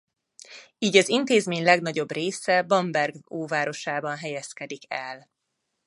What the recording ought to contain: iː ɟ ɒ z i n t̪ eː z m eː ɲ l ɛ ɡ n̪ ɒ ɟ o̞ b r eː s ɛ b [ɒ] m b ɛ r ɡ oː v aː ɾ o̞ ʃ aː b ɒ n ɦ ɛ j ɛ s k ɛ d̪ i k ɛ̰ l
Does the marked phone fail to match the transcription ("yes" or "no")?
no